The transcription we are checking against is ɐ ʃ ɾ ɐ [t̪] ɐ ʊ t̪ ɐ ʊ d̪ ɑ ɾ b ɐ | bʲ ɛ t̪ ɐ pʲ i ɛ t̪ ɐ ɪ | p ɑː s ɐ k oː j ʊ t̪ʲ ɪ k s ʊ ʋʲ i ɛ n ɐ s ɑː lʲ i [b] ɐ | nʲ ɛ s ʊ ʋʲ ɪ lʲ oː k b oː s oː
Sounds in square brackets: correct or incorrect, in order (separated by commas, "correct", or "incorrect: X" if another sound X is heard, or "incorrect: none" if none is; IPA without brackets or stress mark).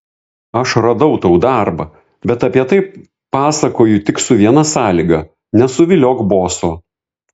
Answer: incorrect: d̪, incorrect: ɡ